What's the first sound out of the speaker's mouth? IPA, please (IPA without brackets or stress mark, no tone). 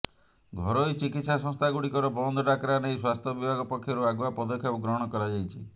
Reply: ɡʱ